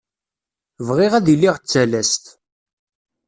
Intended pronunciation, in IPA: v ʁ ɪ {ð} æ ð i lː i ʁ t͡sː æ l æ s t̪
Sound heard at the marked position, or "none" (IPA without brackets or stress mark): ʁ